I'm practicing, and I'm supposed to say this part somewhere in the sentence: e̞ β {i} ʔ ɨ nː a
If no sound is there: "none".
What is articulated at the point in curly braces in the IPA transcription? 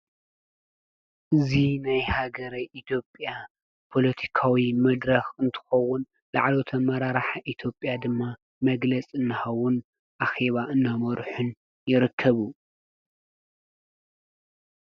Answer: a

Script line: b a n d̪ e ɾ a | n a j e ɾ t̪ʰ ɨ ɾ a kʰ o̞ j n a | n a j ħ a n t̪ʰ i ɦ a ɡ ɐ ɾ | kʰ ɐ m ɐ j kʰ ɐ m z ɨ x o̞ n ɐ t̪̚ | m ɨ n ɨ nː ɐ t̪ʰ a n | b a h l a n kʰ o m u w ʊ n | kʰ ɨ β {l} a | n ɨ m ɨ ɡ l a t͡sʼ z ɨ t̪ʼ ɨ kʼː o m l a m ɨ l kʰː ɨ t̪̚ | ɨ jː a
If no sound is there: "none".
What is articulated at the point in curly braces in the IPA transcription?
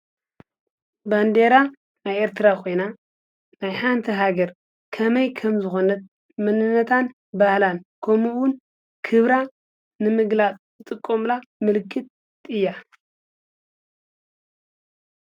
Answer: ɾ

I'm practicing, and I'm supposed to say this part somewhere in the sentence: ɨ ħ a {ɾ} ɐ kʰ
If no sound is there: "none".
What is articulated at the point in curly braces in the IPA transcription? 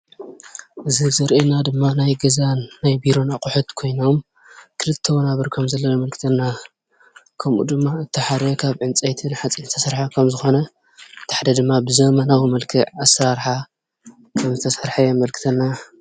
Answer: ɾ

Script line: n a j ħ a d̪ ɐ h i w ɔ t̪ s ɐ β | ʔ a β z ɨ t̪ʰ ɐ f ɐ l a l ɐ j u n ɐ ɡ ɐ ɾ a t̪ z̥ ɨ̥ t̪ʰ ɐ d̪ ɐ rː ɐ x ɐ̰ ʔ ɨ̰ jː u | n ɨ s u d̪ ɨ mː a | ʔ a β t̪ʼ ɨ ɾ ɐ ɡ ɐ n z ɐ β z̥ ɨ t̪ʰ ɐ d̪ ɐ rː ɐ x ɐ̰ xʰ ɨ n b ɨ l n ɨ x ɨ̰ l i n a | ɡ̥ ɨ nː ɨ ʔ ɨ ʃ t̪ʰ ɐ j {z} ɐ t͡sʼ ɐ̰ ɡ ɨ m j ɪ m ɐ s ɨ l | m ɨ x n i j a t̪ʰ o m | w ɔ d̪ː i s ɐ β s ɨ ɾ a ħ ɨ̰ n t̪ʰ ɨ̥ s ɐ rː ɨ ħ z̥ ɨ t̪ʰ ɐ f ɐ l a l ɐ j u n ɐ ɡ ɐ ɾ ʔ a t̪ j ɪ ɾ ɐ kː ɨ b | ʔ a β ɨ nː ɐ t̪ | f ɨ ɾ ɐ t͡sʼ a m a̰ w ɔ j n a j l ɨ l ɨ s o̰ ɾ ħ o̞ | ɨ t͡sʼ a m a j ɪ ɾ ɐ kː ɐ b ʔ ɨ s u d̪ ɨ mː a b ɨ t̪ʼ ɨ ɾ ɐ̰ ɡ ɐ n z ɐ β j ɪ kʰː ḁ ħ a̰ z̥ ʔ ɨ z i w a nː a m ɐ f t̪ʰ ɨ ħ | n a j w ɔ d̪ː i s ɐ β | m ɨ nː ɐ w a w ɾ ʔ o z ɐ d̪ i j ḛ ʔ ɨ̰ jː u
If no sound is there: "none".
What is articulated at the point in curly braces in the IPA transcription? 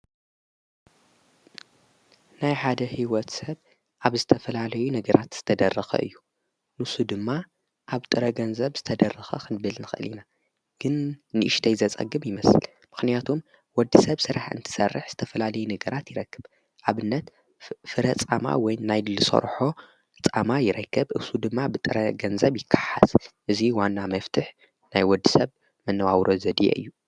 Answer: z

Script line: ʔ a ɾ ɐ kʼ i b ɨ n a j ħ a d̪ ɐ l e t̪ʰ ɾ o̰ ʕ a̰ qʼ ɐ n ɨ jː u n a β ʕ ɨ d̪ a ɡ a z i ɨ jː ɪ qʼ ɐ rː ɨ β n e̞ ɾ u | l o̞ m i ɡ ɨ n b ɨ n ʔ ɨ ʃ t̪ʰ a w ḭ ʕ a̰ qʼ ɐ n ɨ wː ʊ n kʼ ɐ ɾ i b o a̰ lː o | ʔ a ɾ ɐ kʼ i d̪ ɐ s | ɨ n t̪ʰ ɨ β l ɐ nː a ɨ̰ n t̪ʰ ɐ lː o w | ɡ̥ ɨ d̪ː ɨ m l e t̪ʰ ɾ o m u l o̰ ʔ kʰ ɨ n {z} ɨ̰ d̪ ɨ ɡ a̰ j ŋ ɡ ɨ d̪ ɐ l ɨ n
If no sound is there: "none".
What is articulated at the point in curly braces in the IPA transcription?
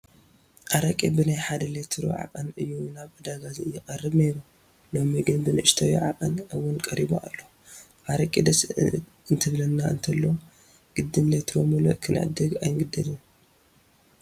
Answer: ʕ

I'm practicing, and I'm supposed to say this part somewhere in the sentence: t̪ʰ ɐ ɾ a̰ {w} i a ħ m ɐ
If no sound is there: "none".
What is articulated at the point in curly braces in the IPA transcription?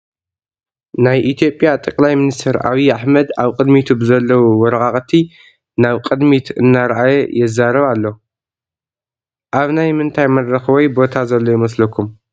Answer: β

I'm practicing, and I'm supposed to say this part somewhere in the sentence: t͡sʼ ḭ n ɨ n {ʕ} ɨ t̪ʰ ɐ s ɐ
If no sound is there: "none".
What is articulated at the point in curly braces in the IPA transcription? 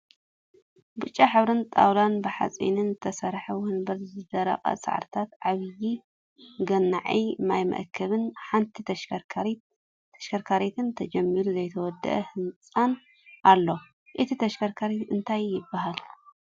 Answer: z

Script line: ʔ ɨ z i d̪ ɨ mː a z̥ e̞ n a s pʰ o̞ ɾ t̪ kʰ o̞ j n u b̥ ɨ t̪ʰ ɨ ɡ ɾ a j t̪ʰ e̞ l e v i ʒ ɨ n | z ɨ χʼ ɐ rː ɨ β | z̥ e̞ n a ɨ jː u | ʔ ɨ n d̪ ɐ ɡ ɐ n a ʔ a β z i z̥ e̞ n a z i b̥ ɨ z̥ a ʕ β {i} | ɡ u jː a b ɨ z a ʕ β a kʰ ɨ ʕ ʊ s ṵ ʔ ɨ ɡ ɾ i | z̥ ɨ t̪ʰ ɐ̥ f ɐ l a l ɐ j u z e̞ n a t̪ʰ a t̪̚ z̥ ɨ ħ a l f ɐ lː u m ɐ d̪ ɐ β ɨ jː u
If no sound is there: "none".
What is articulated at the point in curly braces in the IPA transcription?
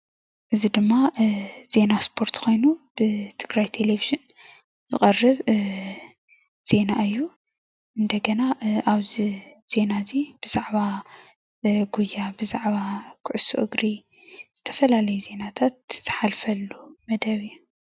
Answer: a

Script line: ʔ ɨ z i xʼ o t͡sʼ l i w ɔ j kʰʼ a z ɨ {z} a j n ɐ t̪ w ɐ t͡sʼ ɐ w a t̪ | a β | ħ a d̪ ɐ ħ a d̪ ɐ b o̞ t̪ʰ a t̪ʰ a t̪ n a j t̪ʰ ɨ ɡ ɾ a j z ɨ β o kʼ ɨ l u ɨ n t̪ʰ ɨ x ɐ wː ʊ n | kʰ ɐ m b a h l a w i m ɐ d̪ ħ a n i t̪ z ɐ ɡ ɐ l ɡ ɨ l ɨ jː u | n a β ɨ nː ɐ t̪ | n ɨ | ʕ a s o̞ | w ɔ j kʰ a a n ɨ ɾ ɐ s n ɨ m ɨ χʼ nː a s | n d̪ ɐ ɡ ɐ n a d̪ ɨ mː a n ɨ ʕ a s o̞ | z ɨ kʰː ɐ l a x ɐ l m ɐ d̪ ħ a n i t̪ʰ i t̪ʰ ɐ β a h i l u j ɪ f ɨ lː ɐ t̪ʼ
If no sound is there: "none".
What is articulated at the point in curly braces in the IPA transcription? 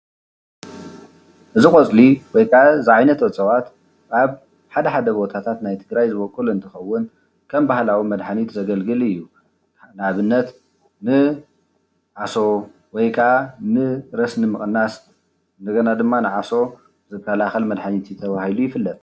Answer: ʕ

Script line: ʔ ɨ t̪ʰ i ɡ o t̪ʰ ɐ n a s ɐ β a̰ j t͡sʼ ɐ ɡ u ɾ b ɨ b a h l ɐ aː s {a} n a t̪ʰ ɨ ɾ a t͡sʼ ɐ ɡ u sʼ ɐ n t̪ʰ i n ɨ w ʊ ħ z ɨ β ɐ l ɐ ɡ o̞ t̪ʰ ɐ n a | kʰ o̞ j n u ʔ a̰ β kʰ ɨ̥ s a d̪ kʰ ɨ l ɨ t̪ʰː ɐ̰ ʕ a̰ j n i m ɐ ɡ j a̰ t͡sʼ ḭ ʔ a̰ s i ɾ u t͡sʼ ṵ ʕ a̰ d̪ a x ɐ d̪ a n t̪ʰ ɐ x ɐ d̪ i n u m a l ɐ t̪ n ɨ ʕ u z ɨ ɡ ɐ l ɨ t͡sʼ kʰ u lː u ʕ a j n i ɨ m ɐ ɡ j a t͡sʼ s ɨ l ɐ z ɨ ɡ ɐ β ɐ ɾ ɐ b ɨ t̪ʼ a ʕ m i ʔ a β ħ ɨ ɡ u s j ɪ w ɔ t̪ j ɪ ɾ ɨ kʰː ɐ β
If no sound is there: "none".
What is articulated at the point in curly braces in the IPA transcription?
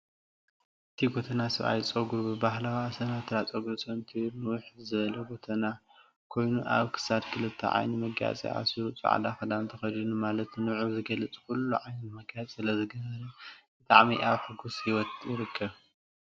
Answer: ɐ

